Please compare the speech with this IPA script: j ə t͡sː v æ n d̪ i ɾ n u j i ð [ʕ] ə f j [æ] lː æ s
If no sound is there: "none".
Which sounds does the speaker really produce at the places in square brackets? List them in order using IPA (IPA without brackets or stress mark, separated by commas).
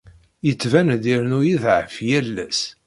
ʕ, æ